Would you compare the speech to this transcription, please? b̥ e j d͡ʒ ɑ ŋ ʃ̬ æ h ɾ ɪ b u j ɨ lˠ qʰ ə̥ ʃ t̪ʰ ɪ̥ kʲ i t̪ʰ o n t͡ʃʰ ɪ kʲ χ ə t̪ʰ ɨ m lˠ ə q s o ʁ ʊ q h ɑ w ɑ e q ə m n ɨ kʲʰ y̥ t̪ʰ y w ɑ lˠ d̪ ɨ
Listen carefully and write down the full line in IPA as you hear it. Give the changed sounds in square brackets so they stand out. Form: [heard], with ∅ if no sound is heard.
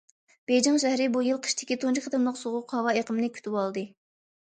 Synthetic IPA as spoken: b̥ e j d͡ʒ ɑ ŋ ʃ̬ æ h ɾ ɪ b u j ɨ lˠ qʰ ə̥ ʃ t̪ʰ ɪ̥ kʲ i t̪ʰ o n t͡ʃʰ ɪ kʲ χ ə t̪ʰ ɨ m lˠ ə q s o ʁ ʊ q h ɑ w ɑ e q ə m n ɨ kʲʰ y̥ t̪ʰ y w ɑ lˠ d̪ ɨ